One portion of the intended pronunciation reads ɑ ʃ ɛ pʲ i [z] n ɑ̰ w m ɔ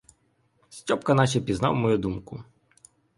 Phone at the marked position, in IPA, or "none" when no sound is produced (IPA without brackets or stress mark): z